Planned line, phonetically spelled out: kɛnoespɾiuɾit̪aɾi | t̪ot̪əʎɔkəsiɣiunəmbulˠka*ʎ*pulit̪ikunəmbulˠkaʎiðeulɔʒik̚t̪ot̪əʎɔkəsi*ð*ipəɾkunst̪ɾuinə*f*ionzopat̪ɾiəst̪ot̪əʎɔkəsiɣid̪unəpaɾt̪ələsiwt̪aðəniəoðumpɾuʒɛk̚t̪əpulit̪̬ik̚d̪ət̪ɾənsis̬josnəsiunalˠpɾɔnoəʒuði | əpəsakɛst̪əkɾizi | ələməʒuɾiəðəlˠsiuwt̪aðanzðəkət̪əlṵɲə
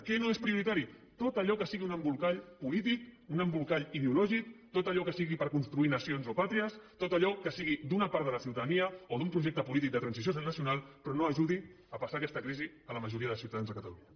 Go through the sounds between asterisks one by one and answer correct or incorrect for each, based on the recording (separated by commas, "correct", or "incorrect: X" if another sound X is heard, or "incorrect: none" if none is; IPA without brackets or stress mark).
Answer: correct, incorrect: ɣ, incorrect: s